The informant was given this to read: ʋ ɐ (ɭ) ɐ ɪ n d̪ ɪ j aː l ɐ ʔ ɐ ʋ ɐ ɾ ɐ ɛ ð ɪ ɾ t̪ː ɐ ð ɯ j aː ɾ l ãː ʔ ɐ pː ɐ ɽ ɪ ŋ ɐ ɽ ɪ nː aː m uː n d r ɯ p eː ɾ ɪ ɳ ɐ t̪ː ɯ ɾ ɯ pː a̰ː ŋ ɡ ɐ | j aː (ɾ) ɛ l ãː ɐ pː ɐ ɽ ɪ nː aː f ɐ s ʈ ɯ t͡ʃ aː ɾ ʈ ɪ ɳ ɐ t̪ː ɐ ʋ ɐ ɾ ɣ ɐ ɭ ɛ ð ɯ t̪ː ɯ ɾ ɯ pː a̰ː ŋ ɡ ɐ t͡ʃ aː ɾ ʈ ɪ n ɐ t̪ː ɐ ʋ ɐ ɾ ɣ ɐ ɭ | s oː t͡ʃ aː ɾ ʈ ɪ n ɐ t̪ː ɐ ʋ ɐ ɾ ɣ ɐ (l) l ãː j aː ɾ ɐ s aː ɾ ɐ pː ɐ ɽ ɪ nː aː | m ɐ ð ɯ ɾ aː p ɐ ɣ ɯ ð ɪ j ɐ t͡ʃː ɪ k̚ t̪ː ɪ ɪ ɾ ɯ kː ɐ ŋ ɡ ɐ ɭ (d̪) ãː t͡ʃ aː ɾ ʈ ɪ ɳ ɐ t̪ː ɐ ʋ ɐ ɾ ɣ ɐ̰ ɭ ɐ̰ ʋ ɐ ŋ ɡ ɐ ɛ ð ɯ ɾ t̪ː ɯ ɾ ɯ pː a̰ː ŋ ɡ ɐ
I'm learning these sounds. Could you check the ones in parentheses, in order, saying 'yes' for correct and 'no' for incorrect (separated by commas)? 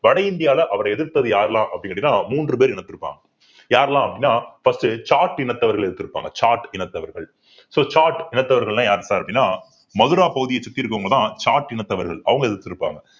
no, yes, no, no